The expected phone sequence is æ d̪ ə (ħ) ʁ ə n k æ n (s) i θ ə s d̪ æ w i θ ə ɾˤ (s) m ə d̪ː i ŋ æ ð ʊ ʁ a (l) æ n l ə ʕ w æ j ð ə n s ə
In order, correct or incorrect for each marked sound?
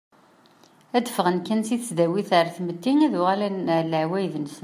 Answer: incorrect: f, correct, incorrect: θ, correct

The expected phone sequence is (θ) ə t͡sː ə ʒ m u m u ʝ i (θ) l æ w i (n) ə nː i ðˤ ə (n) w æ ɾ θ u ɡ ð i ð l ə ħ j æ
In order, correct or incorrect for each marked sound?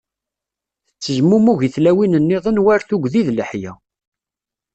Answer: correct, correct, correct, correct

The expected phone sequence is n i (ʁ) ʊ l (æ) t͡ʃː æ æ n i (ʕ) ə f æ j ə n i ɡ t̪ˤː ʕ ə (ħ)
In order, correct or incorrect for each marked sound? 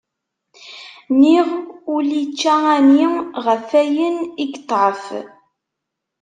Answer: correct, incorrect: i, incorrect: ʁ, incorrect: f

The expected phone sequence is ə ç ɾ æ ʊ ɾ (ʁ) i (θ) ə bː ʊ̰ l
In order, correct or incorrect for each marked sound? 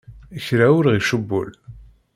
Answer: correct, incorrect: ʃ

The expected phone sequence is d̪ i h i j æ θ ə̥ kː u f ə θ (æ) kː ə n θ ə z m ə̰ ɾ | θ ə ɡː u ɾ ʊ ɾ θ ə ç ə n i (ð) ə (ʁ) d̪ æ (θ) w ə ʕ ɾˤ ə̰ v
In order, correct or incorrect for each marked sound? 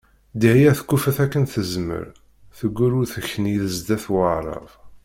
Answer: correct, correct, incorrect: z, correct

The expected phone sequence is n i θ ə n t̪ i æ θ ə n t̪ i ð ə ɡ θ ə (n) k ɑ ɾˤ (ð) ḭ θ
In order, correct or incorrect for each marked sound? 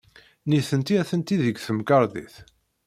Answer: incorrect: m, correct

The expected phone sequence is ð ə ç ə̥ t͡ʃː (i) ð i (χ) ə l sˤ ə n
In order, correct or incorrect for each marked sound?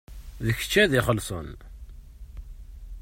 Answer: incorrect: æ, correct

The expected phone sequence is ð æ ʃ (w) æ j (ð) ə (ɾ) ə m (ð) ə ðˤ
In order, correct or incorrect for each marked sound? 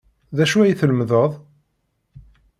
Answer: incorrect: u, incorrect: θ, incorrect: l, correct

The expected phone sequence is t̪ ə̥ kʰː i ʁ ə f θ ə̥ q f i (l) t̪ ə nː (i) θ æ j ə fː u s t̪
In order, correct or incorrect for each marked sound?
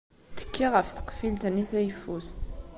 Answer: correct, correct

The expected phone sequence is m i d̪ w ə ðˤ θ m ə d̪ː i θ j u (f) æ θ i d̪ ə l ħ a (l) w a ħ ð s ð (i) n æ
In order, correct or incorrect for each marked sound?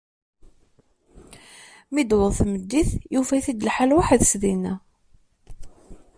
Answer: correct, correct, correct

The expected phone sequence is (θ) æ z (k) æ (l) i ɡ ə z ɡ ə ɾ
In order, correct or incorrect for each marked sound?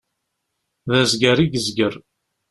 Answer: incorrect: ð, incorrect: ɡ, incorrect: ɾ

